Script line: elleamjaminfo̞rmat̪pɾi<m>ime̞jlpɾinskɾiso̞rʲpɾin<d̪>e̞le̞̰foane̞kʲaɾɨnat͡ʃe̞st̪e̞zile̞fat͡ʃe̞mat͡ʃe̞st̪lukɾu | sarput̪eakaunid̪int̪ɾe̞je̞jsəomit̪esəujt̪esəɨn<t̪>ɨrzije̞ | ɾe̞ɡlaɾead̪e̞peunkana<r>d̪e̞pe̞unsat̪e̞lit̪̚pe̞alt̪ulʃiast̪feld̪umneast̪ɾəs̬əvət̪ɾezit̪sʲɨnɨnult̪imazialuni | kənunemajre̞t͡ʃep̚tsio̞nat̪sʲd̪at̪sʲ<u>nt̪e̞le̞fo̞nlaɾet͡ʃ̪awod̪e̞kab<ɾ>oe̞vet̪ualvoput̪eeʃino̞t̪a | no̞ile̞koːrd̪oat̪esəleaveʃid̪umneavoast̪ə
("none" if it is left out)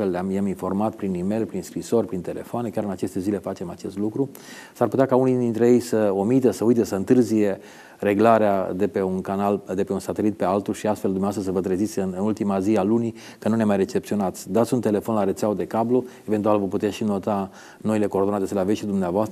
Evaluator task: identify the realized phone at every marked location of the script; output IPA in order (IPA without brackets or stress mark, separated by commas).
n, t̪, t̪, l, u, l